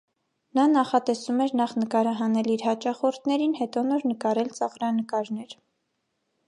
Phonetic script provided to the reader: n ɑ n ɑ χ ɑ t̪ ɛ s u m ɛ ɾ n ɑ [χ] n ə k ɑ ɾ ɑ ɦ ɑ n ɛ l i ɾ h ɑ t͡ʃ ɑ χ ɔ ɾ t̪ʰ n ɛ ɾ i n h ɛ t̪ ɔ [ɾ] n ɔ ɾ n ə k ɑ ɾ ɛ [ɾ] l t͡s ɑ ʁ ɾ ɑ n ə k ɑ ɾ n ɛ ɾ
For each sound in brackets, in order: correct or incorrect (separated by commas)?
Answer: correct, incorrect, incorrect